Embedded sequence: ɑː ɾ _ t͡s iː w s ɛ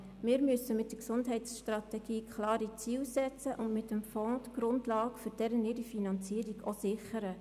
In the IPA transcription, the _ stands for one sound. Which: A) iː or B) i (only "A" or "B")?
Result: B